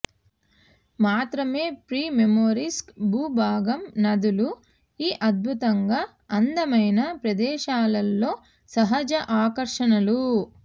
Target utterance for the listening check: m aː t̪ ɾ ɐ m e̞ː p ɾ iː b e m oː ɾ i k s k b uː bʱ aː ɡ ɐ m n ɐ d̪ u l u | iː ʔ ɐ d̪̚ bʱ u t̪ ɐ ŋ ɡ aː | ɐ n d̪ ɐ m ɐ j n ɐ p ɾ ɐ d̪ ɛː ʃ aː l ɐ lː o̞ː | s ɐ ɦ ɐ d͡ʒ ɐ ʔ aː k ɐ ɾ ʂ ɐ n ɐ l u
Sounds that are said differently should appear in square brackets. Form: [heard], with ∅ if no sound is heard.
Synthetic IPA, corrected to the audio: m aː t̪ ɾ ɐ m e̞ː p ɾ iː [m] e m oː ɾ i [∅] s k b uː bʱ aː ɡ ɐ m n ɐ d̪ u l u | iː ʔ ɐ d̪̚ bʱ u t̪ ɐ ŋ ɡ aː | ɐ n d̪ ɐ m ɐ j n ɐ p ɾ ɐ d̪ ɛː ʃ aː l ɐ lː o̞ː | s ɐ ɦ ɐ d͡ʒ ɐ ʔ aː k ɐ ɾ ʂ ɐ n ɐ l u